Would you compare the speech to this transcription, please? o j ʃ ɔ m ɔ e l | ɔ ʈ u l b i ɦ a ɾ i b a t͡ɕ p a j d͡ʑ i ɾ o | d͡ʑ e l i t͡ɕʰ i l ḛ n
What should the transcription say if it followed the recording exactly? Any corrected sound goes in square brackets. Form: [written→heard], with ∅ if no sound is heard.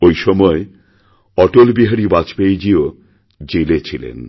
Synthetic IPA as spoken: o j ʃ ɔ m ɔ e [l→∅] | ɔ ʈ [u→o] l b i ɦ a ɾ i b a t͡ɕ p [a→e] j d͡ʑ i [ɾ→∅] o | d͡ʑ e l [i→e] t͡ɕʰ i l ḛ n

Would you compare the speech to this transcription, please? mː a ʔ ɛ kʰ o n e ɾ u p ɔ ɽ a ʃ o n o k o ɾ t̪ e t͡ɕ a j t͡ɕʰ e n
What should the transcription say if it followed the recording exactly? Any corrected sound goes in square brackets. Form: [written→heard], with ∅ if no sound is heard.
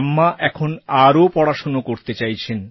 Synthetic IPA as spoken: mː a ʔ ɛ kʰ o n [e→a] ɾ [u→o] p ɔ ɽ a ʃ o n o k o ɾ t̪ e t͡ɕ a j t͡ɕʰ e n

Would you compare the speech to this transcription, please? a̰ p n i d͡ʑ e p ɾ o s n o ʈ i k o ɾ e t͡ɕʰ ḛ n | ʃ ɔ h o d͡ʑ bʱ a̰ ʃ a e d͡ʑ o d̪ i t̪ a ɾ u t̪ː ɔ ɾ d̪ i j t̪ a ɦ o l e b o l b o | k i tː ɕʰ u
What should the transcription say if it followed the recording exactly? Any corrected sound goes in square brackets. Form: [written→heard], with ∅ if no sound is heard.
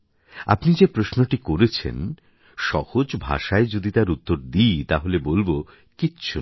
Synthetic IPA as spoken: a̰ p n i d͡ʑ e p ɾ o s n o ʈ i k o ɾ e t͡ɕʰ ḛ n | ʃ ɔ h o d͡ʑ bʱ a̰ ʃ a e d͡ʑ o d̪ i t̪ a ɾ u t̪ː [ɔ→o] ɾ d̪ i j t̪ a ɦ o l e b o l b o | k i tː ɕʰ u

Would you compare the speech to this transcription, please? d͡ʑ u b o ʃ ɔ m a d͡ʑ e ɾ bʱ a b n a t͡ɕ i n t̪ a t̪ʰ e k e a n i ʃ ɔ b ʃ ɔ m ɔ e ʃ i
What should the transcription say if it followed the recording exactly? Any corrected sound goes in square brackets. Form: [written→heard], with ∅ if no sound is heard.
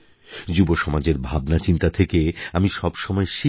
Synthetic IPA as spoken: d͡ʑ u b o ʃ ɔ m a d͡ʑ e ɾ bʱ a b n a t͡ɕ i n t̪ a t̪ʰ e k e a [n→m] i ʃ ɔ b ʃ ɔ m ɔ e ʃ i

